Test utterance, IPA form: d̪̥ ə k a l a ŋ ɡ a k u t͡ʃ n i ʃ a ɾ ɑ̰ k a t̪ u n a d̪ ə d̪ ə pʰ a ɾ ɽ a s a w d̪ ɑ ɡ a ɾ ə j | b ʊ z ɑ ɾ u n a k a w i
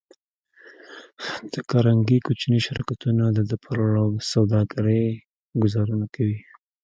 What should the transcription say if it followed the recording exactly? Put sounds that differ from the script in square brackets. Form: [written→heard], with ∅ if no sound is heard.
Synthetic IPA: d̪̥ ə k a [l→ɾ] a ŋ ɡ [a→i] k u t͡ʃ n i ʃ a ɾ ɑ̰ k a t̪ u n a d̪ ə d̪ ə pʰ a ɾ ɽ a s a w d̪ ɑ ɡ a ɾ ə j | [b→ɡ] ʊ z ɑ ɾ u n a k a w i

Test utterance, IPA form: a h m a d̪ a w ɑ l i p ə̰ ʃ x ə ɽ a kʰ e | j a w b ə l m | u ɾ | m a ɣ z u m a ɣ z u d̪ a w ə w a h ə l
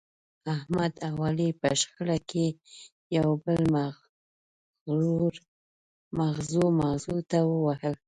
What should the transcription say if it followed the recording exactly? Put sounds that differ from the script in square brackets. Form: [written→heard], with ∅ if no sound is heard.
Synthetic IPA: a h m a d̪ a w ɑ l i p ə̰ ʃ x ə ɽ a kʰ e | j a w b ə l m | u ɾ | m a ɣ z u m a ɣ z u [d̪→t̪] a w ə w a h ə l

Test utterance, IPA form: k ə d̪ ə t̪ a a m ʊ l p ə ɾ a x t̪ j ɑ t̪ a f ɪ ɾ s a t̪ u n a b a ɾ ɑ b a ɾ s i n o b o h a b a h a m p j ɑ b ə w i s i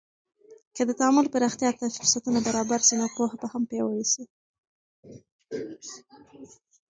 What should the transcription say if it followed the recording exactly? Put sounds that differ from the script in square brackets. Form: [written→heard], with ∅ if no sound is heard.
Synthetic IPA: k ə d̪ ə t̪ a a m ʊ l p ə ɾ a x t̪ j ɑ t̪ a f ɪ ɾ s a t̪ u n a b a ɾ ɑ b a ɾ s i n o [b→p] o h a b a h a m p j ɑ [b→w] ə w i s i

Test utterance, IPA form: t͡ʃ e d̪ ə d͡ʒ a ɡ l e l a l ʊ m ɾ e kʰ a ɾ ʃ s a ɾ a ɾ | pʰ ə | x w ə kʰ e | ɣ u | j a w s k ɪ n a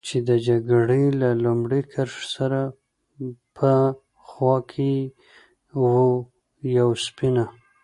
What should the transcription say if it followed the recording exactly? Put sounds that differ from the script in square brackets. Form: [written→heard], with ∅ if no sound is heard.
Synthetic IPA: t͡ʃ e d̪ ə d͡ʒ a ɡ [l→ɽ] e l a l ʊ m [ɾ→ɽ] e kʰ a ɾ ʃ s a ɾ a [ɾ→∅] | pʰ ə | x w [ə→ɑ] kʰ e | [ɣ→w] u | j a w s [k→p] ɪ n a

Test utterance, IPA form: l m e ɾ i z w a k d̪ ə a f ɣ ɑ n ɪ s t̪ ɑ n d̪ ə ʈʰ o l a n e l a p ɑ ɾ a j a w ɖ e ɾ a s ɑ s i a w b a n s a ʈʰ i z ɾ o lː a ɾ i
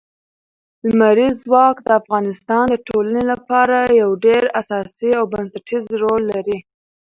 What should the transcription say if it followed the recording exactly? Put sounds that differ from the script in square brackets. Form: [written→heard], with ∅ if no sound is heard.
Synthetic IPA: l m [e→a] ɾ i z w [a→ɑ] k d̪ ə a f ɣ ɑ n ɪ s t̪ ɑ n d̪ ə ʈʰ o l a n e l a p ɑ ɾ a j a w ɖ e ɾ a s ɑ s i a w b a n s a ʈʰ i z ɾ o lː a ɾ i

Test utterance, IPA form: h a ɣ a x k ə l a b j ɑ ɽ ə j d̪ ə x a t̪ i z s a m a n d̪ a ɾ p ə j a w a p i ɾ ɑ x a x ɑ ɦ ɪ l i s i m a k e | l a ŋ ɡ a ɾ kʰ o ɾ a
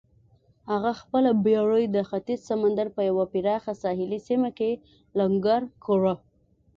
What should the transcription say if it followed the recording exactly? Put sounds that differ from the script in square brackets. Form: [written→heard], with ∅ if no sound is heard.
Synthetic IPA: h a ɣ a x [k→p] ə l a b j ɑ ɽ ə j d̪ ə x a t̪ i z s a m a n d̪ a ɾ p ə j a w a p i ɾ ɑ x a [x→s] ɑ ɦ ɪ l i s i m a k e | l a ŋ ɡ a ɾ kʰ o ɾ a

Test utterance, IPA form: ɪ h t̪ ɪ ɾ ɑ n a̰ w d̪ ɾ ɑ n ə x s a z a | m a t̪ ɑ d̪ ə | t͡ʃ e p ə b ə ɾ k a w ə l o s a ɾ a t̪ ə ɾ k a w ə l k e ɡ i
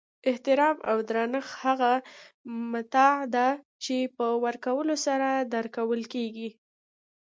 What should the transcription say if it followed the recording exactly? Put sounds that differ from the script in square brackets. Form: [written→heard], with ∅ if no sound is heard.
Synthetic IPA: ɪ h t̪ ɪ ɾ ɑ [n→m] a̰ w d̪ ɾ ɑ n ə x [s→h] a [z→ɣ] a | m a t̪ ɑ d̪ [ə→a] | t͡ʃ e p ə [b→w] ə ɾ k a w ə l o s a ɾ a [t̪→d̪] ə ɾ k a w ə l k e ɡ i

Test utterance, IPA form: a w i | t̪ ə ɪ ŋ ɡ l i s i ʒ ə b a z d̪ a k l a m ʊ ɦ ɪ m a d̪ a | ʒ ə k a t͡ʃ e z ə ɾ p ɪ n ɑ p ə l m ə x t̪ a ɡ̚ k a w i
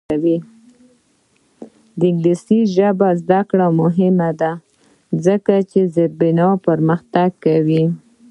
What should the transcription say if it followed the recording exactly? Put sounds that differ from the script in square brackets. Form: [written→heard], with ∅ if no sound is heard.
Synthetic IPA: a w i | [t̪→d̪] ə ɪ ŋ ɡ l i s i ʒ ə b a z d̪ a k [l→ɽ] a m ʊ ɦ ɪ m a d̪ a | [ʒ→z] ə k a t͡ʃ e z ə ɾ [p→b] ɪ n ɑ p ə [l→ɾ] m ə x t̪ a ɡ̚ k a w i

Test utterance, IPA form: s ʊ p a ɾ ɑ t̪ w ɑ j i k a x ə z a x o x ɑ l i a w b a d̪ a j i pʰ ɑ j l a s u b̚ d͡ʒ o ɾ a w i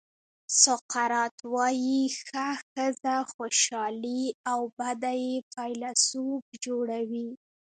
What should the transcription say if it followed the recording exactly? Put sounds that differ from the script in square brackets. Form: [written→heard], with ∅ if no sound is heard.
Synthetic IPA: s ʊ [p→q] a ɾ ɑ t̪ w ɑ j i [k→x] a x ə z a x o [x→ʃ] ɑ l i a w b a d̪ a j [i→e] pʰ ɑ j l a s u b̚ d͡ʒ o [ɾ→ɽ] a w i

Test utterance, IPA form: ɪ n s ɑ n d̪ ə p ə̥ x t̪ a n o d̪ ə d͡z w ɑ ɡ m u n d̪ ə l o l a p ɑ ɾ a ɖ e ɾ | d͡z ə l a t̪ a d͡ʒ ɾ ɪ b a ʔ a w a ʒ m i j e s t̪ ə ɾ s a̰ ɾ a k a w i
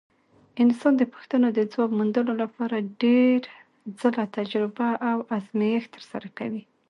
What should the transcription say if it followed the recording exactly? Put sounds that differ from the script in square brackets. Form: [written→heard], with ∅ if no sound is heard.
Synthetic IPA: ɪ n s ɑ n d̪ ə p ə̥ x t̪ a n o d̪ ə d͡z w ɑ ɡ m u n d̪ ə l o l a p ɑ ɾ a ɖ e ɾ | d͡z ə l a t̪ a d͡ʒ ɾ ɪ b a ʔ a w a [ʒ→z] m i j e [s→x] t̪ ə ɾ s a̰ ɾ a k a w i

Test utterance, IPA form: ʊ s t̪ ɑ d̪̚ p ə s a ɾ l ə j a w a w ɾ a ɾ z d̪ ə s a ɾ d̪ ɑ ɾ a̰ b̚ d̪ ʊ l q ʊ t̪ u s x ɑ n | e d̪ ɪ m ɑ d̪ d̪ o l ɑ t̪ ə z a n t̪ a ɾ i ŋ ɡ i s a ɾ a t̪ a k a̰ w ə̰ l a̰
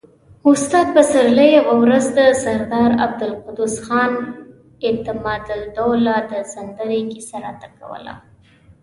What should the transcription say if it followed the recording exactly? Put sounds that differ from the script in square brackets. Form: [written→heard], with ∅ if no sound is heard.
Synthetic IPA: ʊ s t̪ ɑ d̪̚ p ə s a ɾ l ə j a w a w ɾ a [ɾ→∅] z d̪ ə s a ɾ d̪ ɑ ɾ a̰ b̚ d̪ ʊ l q ʊ [t̪→d̪] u s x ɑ n | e [d̪→t̪] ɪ m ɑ d̪ d̪ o l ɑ [t̪→d̪] ə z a n [t̪→d̪] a ɾ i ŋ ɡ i s a ɾ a t̪ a k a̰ w ə̰ l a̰

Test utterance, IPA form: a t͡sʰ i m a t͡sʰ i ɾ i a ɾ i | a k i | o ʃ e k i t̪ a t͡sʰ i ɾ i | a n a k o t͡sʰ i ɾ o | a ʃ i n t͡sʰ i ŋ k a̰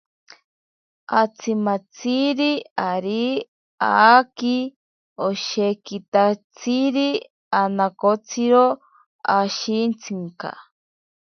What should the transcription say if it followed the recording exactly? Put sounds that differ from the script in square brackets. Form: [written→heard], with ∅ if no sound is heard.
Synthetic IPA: a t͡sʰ i m a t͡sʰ i ɾ i a ɾ i | a k i | o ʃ e k i t̪ a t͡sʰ i ɾ i | a n a k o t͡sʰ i ɾ o | a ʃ i n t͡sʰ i ŋ k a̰

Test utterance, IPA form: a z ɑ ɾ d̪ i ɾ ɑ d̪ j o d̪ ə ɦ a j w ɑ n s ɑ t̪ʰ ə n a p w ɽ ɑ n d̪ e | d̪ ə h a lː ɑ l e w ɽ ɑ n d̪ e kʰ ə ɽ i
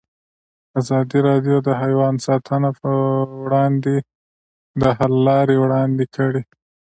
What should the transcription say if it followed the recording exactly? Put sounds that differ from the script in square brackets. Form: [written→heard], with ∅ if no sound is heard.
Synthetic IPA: a z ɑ [ɾ→∅] d̪ i ɾ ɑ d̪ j o d̪ ə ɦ a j w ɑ n s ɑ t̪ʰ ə n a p w ɽ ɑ n d̪ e | d̪ ə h a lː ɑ [l→ɾ] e w ɽ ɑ n d̪ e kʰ ə ɽ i

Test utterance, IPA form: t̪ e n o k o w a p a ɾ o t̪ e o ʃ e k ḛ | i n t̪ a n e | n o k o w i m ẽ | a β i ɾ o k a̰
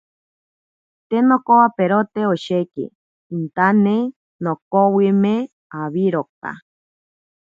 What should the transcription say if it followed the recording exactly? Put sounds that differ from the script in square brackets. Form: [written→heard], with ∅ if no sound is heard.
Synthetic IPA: t̪ e n o k o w a p [a→e] ɾ o t̪ e o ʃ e k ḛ | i n t̪ a n e | n o k o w i m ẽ | a β i ɾ o k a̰

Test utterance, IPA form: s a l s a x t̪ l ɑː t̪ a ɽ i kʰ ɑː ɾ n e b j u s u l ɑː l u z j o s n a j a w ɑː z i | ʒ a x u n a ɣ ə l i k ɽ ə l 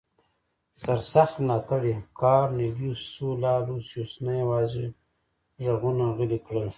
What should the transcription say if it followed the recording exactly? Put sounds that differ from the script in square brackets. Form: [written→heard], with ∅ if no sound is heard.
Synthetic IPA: s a [l→ɾ] s a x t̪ l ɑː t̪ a ɽ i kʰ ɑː ɾ n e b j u s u l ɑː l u [z→s] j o s n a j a w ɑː z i | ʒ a [x→ɣ] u n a ɣ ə l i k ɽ ə l

